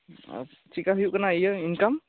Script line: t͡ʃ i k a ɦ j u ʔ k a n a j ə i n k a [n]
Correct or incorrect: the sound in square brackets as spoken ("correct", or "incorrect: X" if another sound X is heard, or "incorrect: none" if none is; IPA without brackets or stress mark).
incorrect: m